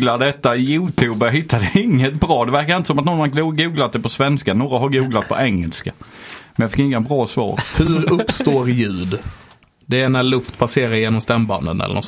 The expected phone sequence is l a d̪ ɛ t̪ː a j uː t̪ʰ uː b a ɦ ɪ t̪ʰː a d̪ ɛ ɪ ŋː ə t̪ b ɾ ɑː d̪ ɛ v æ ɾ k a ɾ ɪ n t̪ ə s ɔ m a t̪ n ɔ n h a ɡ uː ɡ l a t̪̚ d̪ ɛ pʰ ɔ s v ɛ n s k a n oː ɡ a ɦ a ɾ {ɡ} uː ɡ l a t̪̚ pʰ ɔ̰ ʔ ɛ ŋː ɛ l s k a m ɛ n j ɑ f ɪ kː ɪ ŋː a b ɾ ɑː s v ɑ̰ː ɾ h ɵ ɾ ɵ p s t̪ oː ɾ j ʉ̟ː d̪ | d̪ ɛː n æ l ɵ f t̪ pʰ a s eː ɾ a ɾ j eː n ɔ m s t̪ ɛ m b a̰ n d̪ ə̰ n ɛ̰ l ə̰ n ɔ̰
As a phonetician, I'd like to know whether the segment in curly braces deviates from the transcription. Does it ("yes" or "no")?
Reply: no